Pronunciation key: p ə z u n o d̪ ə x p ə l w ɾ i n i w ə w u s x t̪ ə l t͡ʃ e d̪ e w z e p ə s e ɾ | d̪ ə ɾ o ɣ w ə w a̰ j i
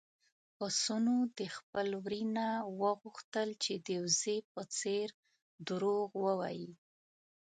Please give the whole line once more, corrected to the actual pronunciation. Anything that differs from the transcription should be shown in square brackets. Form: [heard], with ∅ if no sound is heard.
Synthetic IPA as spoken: p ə [s] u n o d̪ ə x p ə l w ɾ i n [a] w ə [ɣ] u [∅] x t̪ ə l t͡ʃ e d̪ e w z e p ə [t͡s] e ɾ | d̪ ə ɾ o ɣ w ə w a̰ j i